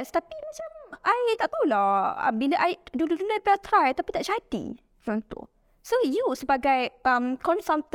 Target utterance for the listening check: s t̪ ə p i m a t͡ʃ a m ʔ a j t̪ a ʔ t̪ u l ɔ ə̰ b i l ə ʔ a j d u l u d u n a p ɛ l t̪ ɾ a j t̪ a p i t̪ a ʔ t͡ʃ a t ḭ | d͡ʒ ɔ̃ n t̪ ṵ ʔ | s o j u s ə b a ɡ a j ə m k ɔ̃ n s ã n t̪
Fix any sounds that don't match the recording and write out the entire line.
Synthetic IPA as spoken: s t̪ a p i m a t͡ʃ a m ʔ a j t̪ a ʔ t̪ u l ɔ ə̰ b i l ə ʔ a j d u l u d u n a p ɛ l t̪ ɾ a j t̪ a p i t̪ a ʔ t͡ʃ a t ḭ | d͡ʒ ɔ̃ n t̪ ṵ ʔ | s o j u s ə b a ɡ a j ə m k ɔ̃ n s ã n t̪